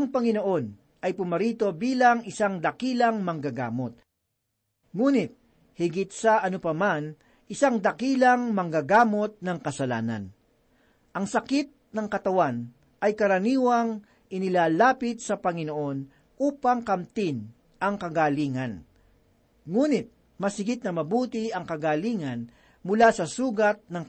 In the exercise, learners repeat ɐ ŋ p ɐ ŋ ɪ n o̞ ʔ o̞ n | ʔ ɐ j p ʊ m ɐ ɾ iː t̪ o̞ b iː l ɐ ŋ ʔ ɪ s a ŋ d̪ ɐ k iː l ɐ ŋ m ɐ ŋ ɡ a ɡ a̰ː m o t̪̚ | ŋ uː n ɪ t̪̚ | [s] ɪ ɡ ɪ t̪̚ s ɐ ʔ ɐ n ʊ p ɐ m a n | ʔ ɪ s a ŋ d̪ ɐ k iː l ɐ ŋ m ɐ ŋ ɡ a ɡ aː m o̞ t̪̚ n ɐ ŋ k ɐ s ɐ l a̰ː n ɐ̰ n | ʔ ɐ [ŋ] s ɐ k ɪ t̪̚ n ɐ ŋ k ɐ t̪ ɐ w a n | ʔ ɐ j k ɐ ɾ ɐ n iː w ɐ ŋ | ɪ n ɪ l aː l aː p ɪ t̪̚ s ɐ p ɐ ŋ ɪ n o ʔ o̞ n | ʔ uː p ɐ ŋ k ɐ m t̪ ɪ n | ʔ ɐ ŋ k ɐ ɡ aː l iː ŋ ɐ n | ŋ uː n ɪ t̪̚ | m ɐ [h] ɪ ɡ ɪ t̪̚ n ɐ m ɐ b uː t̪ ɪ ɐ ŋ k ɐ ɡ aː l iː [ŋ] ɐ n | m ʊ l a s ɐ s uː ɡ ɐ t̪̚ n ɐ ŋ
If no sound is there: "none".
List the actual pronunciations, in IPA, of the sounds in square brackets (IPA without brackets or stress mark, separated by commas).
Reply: h, ŋ, s, ŋ